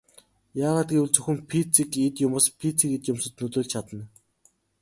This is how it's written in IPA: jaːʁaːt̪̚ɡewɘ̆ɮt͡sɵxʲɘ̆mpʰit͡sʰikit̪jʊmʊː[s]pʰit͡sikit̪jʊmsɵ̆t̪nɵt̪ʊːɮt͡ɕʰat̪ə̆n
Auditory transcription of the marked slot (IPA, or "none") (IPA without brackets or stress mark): s